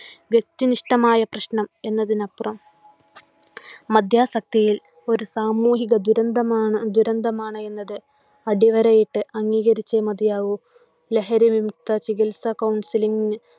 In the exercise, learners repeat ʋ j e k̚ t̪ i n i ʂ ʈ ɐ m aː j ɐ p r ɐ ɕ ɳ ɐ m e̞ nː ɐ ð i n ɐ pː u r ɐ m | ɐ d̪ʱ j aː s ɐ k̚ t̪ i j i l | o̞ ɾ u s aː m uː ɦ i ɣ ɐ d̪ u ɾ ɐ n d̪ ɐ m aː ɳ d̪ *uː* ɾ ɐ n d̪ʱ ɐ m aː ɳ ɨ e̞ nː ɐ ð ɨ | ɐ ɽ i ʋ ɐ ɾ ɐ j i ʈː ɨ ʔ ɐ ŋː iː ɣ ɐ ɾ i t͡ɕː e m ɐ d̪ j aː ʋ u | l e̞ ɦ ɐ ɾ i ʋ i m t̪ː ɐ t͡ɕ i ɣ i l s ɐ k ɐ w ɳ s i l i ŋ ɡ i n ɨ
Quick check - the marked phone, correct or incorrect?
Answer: incorrect: u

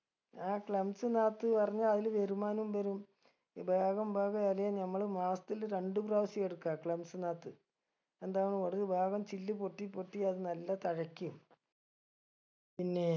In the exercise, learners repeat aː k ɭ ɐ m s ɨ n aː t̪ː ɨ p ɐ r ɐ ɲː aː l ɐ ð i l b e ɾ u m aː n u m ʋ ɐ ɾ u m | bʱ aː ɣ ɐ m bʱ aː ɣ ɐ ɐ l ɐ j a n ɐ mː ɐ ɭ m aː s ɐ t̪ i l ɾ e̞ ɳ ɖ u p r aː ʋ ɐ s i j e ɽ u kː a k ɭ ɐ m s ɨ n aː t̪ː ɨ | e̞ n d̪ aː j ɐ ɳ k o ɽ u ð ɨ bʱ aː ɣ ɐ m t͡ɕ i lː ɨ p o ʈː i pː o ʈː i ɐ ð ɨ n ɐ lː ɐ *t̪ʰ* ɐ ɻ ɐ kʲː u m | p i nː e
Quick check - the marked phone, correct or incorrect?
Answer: incorrect: t̪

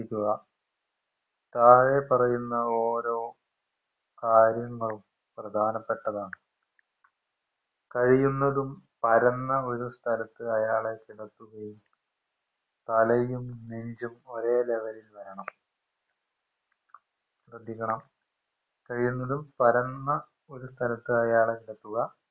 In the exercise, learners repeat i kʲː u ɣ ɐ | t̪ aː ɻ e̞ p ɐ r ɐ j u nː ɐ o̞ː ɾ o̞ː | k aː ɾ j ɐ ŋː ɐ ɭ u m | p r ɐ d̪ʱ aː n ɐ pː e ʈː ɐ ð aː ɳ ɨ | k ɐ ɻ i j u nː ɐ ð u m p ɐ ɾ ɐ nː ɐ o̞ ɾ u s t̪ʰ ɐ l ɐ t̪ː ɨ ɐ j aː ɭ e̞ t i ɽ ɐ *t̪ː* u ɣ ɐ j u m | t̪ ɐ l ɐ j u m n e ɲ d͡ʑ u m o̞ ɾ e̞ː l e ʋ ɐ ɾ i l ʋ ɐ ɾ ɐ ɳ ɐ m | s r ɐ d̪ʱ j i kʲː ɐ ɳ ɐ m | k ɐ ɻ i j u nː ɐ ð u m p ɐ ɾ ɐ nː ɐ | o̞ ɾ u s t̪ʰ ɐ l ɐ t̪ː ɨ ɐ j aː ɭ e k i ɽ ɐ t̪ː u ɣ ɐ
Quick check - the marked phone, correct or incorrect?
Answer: correct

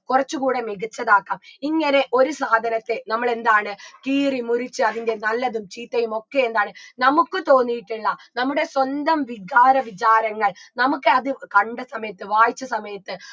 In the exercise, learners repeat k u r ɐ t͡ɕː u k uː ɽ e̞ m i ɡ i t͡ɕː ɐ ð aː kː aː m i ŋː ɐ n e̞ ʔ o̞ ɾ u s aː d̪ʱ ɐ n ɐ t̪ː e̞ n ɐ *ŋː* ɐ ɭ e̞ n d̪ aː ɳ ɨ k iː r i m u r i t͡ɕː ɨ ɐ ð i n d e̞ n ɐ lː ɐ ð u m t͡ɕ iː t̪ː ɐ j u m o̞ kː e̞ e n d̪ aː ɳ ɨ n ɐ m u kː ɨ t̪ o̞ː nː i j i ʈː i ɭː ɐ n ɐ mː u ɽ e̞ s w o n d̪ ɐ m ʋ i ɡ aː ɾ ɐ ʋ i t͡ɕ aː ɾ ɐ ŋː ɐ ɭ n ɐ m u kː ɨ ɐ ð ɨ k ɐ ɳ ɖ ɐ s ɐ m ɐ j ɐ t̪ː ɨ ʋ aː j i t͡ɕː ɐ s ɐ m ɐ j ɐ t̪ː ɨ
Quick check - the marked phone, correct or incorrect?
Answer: incorrect: mː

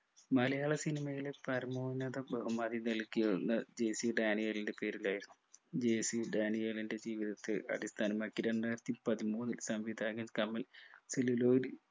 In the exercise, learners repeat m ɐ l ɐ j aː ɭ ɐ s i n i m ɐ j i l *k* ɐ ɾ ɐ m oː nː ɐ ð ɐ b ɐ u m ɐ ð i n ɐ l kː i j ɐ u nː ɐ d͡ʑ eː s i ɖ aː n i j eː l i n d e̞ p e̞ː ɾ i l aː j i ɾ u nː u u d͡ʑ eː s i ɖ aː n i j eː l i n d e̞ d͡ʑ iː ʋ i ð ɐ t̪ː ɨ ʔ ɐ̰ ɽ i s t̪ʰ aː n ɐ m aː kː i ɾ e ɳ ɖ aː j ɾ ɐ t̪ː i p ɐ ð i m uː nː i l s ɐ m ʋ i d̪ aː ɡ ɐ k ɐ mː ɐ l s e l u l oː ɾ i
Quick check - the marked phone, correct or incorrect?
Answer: incorrect: p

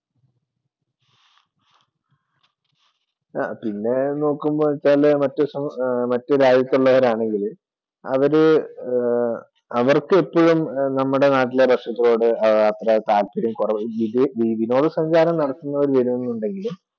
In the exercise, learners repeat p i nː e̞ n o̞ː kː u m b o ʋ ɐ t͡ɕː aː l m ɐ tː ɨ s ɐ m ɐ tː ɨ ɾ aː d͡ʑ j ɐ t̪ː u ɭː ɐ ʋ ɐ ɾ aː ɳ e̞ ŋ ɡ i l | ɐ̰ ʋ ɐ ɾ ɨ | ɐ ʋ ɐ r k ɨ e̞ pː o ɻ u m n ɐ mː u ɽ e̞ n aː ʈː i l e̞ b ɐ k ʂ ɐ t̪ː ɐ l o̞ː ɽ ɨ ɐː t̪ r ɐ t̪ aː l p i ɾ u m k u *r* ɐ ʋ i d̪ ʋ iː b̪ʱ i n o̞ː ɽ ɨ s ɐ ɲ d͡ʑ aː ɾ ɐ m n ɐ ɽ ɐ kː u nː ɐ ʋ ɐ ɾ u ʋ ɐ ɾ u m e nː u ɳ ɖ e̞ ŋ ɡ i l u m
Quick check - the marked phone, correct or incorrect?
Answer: correct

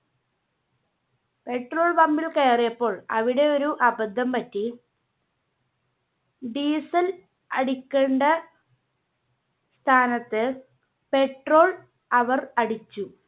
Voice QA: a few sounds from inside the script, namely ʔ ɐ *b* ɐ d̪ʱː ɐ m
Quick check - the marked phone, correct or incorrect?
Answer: correct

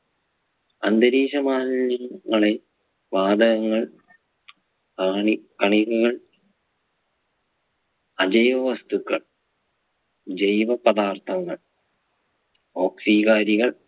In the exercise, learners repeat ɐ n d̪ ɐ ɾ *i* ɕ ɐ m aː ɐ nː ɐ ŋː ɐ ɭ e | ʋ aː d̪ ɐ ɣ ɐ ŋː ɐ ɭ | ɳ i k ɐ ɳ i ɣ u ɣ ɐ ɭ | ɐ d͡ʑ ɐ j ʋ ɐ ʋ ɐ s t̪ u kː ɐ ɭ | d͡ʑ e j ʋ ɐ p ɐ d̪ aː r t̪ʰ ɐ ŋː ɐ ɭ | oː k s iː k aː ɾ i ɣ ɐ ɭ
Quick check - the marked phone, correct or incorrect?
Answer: incorrect: iː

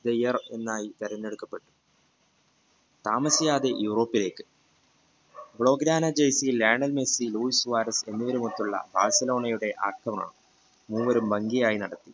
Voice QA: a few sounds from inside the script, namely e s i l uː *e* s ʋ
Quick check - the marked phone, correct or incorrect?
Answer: incorrect: i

